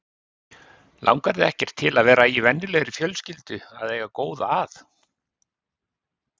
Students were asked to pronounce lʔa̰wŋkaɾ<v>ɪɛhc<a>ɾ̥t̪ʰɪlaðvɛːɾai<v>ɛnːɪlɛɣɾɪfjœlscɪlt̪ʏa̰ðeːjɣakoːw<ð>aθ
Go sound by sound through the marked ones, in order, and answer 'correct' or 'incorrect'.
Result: incorrect, incorrect, correct, correct

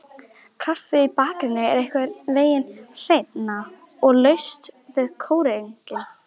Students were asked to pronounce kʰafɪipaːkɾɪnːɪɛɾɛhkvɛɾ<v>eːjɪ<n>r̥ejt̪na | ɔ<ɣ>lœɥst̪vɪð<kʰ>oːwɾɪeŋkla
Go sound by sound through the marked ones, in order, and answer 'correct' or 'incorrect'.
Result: correct, correct, correct, correct

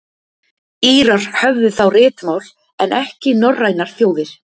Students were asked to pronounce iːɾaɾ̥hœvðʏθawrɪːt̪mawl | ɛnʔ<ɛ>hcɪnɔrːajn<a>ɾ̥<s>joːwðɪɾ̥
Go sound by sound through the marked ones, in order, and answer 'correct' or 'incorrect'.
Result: correct, correct, incorrect

